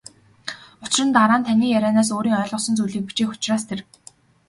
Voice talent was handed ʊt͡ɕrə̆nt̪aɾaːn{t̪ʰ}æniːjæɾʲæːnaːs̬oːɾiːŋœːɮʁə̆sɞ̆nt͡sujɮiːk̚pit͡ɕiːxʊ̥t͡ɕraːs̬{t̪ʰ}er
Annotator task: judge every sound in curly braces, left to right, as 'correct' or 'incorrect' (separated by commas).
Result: correct, correct